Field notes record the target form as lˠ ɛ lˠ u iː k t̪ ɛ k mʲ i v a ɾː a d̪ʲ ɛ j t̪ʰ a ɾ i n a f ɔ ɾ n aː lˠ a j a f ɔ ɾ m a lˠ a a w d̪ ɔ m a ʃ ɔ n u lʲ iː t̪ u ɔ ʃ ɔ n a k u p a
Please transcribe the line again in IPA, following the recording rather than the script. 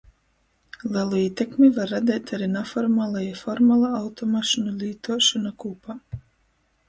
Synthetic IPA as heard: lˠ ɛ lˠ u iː t̪ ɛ k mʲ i v a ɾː a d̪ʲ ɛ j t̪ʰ a ɾ i n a f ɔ ɾ m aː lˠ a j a f ɔ ɾ m a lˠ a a w t̪ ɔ m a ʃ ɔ n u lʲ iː t̪ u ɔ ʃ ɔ n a k u p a